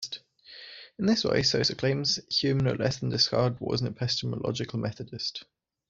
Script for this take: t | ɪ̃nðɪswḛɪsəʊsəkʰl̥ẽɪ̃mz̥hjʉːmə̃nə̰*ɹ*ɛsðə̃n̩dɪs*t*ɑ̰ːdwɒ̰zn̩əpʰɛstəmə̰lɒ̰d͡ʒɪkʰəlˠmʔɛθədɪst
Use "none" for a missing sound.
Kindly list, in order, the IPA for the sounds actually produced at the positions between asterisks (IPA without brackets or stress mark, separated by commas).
l, k